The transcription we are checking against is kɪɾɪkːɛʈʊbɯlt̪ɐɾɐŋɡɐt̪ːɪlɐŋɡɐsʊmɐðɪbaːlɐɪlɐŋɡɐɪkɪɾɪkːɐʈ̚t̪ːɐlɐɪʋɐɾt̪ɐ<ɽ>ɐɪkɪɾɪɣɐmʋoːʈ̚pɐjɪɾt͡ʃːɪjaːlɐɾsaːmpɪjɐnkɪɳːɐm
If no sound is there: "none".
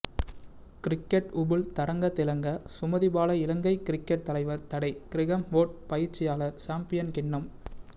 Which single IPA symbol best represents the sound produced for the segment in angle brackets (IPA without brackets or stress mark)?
ɽ